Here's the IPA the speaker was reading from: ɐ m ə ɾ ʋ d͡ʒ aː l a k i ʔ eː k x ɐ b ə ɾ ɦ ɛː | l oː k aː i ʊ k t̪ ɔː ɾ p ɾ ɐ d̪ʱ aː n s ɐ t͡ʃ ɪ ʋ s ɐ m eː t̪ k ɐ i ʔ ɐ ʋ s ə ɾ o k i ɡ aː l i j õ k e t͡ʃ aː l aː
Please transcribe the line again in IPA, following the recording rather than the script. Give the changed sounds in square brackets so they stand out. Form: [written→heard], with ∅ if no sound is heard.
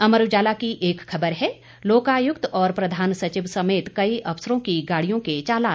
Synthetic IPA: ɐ m ə ɾ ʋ d͡ʒ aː l a k i ʔ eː k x ɐ b ə ɾ ɦ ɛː | l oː k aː [i→j] ʊ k t̪ ɔː ɾ p ɾ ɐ d̪ʱ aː n s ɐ t͡ʃ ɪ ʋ s ɐ m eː t̪ k ɐ i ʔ ɐ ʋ s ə ɾ [o→õ] k i ɡ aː [l→ɽ] i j õ k e t͡ʃ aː l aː